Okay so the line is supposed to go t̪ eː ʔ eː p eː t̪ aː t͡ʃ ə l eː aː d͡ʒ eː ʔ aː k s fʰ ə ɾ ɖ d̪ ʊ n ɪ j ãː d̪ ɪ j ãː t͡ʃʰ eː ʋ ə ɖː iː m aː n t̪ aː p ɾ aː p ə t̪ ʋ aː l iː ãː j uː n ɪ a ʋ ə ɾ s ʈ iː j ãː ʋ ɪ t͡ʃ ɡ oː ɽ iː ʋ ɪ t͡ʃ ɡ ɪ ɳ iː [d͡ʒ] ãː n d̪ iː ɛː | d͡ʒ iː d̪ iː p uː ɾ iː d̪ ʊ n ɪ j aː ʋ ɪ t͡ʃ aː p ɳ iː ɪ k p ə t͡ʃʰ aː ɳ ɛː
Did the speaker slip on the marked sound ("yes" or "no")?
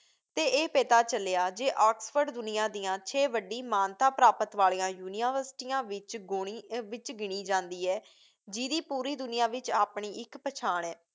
no